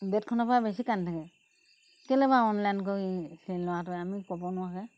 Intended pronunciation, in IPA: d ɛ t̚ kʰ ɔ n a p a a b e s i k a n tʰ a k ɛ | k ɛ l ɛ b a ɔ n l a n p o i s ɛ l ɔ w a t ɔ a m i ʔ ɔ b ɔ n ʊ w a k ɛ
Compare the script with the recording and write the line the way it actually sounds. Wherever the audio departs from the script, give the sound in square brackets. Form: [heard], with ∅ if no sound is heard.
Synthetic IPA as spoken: [b] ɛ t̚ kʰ ɔ n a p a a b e s i k a n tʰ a k ɛ | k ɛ l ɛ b a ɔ n l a n [k] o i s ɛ l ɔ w a t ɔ a m i [k] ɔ b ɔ n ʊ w a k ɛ

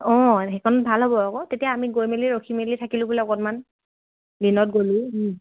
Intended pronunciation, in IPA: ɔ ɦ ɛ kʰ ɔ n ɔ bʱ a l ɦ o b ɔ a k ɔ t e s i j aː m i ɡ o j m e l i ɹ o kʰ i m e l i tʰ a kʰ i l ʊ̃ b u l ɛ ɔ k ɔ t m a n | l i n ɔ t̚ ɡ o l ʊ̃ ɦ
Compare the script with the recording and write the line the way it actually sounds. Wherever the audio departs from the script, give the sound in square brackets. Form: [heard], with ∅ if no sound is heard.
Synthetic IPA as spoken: ɔ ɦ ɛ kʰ ɔ n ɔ bʱ a l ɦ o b ɔ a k ɔ t e [t] i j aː m i ɡ o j m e l i ɹ o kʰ i m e l i tʰ a [k] i l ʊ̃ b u l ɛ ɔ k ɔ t m a n | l i n ɔ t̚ ɡ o l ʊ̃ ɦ

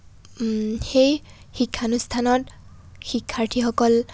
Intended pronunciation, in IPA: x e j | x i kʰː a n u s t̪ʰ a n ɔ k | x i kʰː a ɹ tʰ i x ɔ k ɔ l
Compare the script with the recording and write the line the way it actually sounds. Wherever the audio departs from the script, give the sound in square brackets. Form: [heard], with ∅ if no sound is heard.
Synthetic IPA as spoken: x e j | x i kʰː a n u s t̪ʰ a n ɔ [t] | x i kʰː a ɹ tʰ i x ɔ k ɔ l

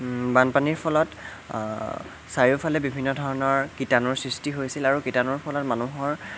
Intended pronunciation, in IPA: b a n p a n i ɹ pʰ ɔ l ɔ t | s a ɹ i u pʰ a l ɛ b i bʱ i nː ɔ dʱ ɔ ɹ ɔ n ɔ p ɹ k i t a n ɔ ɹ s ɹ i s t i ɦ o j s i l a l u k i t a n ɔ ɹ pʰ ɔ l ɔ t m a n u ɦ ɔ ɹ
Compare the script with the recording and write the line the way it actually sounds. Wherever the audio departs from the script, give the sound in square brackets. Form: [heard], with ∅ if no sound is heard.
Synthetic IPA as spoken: b a n p a n i ɹ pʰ ɔ l ɔ t | s a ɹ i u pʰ a l ɛ b i bʱ i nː ɔ dʱ ɔ ɹ ɔ n ɔ [∅] ɹ k i t a n ɔ ɹ s ɹ i s t i ɦ o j s i l a [ɹ] u k i t a n ɔ ɹ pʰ ɔ l ɔ t m a n u ɦ ɔ ɹ

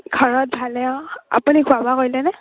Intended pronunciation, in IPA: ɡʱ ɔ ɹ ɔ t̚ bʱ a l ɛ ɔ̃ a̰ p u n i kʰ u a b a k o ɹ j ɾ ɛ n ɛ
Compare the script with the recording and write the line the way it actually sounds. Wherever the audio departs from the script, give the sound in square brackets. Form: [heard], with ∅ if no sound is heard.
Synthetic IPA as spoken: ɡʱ ɔ ɹ ɔ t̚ bʱ a l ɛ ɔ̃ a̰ p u n i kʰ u a b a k o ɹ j [l] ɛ n ɛ

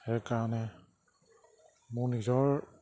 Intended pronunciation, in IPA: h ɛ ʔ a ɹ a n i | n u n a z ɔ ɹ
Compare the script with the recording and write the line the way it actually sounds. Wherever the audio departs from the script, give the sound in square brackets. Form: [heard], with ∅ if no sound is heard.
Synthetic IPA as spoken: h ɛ [k] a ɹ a n [ɛ] | [m] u n [i] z ɔ ɹ

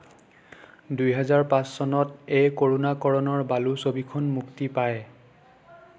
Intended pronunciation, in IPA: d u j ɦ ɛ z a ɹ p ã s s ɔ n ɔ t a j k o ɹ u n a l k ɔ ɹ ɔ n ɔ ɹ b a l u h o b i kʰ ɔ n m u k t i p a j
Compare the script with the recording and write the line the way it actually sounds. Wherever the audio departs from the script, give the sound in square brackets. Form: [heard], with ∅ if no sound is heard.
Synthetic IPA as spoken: d u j ɦ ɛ z a ɹ p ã s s ɔ n ɔ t [e] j k o ɹ u n a [∅] k ɔ ɹ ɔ n ɔ ɹ b a l u [s] o b i kʰ ɔ n m u k t i p a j

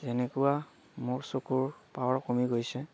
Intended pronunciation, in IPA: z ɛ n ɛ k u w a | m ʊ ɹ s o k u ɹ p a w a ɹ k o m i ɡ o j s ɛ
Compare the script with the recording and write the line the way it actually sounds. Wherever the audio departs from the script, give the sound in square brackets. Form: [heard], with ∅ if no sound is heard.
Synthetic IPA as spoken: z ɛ n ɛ k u w a | m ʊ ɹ s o k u ɹ p a w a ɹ k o m i ɡ o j s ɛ

